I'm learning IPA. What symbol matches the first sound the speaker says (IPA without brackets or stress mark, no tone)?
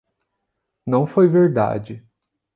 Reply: n